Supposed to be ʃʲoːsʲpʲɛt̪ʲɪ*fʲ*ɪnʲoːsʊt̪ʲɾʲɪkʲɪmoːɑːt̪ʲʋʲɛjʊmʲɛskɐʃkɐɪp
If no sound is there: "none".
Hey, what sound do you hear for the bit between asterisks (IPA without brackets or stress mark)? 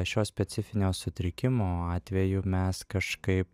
fʲ